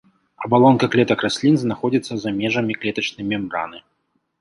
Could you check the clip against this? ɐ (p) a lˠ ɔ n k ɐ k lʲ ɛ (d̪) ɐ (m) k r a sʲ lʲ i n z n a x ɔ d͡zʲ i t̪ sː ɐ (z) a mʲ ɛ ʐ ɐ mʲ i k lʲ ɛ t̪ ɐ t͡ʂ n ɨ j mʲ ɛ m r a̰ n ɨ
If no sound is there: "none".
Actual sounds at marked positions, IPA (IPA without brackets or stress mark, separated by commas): b, t̪, none, z